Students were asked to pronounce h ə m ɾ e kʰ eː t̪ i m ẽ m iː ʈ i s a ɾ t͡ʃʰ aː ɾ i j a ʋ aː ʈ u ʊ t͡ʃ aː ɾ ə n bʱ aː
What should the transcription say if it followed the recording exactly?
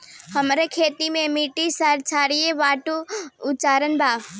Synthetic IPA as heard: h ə m ɾ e kʰ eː t̪ i m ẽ m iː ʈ i s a ɾ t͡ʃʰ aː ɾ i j e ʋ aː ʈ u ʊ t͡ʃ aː ɾ ə n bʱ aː